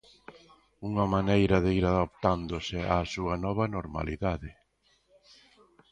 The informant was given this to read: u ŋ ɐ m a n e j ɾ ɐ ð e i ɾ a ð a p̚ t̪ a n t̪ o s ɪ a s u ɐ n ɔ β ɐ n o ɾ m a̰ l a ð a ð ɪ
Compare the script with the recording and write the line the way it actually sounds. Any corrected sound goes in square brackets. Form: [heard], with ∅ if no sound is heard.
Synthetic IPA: u ŋ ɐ m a n e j ɾ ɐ ð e i ɾ a ð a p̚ t̪ a n [d̪] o s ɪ a s u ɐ n ɔ β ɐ n o ɾ m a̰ l [i] ð a ð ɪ

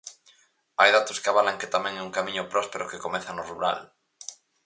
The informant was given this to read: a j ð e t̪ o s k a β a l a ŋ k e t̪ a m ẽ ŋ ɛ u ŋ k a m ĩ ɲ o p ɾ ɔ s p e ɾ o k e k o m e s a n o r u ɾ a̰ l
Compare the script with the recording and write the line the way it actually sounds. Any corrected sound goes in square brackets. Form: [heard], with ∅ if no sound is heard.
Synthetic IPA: a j ð [a] t̪ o s k a β a l a ŋ k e t̪ a m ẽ ŋ ɛ u ŋ k a m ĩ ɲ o p ɾ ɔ s p e ɾ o k e k o m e [θ] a n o r u ɾ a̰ l

